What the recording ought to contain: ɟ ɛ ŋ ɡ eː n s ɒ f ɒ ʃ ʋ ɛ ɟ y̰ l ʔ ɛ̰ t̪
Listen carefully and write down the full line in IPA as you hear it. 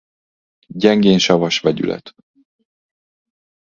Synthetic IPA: ɟ ɛ ŋ ɡ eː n ʃ ɒ v ɒ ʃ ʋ ɛ ɟ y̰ l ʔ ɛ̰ t̪